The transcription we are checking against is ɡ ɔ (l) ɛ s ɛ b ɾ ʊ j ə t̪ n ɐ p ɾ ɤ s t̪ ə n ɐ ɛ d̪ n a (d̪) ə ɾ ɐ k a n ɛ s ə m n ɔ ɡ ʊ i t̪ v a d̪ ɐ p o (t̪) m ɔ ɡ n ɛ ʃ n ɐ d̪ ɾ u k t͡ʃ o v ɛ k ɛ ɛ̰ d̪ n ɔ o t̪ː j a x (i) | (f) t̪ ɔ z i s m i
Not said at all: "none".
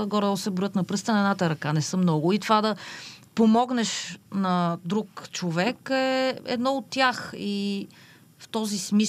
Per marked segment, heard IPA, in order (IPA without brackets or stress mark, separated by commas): ɾ, t̪, none, i, f